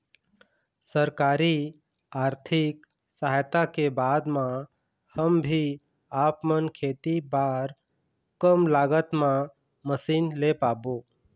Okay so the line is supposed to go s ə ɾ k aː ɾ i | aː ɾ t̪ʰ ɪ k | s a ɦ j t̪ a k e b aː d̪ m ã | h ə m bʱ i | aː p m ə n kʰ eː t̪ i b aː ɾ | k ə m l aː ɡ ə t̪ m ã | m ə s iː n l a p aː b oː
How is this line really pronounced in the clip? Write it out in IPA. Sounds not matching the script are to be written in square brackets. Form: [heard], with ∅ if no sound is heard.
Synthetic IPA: s ə ɾ k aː ɾ i | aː ɾ t̪ʰ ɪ k | s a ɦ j t̪ a k e b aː d̪ m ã | h ə m bʱ i | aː p m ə n kʰ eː t̪ i b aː ɾ | k ə m l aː ɡ ə t̪ m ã | m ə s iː n l [e] p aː b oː